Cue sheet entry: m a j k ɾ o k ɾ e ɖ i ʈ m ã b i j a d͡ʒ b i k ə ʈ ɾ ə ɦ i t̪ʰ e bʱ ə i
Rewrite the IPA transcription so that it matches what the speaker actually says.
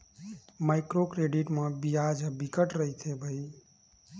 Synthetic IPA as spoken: m a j k ɾ o k ɾ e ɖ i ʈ m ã b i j a d͡ʒ b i k ə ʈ ɾ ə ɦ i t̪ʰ e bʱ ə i